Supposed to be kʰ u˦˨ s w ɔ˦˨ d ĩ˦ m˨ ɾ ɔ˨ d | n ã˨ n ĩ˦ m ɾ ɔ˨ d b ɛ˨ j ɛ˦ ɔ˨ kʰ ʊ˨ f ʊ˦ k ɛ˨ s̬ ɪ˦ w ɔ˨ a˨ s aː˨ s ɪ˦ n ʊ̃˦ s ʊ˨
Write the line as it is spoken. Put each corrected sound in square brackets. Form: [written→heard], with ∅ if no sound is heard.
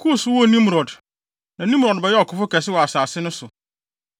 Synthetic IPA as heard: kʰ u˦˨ s w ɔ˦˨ [d→n] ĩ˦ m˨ ɾ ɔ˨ d | n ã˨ n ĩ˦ m ɾ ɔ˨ d b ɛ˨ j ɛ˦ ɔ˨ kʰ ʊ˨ f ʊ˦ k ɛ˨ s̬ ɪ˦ w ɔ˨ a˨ s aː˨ s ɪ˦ n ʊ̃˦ s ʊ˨